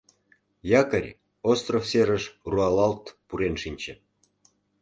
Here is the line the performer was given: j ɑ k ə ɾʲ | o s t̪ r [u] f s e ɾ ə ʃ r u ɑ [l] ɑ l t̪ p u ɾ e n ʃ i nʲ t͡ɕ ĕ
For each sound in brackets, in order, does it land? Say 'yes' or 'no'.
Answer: no, yes

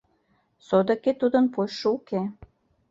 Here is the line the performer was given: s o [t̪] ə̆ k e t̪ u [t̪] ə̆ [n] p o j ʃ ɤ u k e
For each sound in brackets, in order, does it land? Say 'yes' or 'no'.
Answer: no, no, yes

